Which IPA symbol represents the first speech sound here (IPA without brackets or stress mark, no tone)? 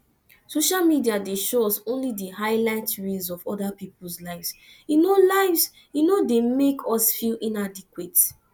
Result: s